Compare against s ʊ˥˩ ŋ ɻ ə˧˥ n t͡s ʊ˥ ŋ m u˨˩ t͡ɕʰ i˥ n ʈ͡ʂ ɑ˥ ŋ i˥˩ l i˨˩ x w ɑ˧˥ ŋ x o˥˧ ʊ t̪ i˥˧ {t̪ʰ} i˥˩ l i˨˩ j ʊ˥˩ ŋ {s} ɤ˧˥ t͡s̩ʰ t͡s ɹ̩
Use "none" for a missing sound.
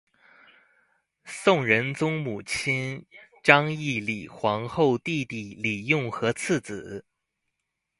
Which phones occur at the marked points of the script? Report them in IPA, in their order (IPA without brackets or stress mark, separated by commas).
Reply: t̪, x